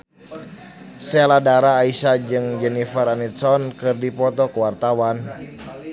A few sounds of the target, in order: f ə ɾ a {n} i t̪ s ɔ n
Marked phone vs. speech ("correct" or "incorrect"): correct